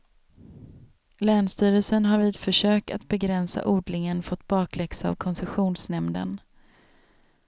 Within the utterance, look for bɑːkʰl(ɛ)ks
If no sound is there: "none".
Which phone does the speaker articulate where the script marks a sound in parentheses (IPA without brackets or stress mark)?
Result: ɛ